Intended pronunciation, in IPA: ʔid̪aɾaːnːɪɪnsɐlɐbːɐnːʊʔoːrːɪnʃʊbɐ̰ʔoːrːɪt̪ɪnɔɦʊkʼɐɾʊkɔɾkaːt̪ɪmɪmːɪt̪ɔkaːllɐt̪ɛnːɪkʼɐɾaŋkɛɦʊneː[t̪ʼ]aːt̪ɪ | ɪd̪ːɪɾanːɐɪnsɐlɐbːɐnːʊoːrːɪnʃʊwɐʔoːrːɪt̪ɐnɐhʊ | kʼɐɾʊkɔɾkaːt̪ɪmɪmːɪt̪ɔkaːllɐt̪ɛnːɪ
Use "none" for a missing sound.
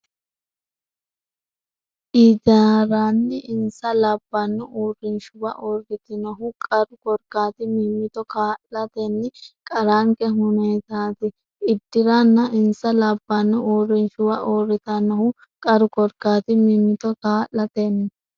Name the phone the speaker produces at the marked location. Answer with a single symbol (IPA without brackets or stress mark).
t̪